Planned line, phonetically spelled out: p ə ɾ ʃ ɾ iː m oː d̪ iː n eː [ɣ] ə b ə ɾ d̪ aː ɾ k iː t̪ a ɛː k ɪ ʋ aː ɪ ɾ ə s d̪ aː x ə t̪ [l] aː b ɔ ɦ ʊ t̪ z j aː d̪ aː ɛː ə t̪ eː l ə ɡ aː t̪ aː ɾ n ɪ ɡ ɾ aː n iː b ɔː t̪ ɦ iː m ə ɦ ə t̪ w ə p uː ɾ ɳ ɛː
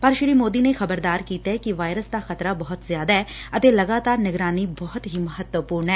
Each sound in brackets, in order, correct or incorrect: incorrect: x, incorrect: ɾ

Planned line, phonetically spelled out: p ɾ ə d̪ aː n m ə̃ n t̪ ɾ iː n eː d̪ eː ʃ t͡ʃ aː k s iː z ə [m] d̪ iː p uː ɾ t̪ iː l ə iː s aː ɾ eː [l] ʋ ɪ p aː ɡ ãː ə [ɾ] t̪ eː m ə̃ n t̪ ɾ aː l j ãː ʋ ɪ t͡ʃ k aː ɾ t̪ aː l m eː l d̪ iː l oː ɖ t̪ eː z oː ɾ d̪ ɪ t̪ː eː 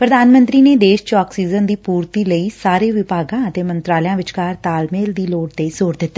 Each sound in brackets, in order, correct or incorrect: incorrect: n, incorrect: none, incorrect: none

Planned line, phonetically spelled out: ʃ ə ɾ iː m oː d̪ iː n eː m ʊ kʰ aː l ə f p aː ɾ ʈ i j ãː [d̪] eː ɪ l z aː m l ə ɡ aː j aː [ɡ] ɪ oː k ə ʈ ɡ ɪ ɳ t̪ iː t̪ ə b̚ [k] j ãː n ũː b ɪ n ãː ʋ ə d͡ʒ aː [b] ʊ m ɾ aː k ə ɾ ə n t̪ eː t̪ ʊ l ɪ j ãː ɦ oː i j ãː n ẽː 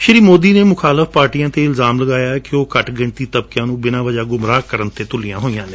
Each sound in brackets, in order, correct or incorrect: incorrect: t̪, incorrect: k, correct, incorrect: ɡ

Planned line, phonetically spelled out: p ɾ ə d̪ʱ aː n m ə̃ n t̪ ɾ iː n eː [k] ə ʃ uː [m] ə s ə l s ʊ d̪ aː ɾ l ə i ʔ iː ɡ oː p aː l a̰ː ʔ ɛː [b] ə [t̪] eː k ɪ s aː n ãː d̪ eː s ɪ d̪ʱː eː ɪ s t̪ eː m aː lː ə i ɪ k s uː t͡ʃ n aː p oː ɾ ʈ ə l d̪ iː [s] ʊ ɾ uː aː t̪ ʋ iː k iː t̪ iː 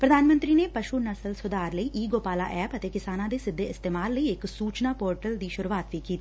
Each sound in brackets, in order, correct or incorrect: incorrect: p, incorrect: n, incorrect: p, correct, incorrect: ʃ

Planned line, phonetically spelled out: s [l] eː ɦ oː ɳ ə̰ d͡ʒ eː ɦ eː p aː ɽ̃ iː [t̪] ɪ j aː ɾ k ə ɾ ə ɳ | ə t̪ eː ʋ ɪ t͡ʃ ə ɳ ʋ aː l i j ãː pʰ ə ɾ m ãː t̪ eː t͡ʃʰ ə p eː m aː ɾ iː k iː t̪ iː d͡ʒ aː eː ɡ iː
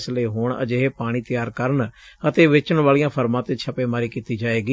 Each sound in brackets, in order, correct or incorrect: correct, correct

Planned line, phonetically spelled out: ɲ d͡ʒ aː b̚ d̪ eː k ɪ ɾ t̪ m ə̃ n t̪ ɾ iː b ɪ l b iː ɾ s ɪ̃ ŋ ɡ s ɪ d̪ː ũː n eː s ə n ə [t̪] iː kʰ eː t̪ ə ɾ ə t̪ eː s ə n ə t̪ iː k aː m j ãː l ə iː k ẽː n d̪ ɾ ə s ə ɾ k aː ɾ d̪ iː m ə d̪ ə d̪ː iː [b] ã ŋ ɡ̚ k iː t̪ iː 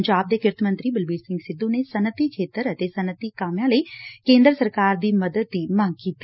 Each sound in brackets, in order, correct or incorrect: correct, incorrect: m

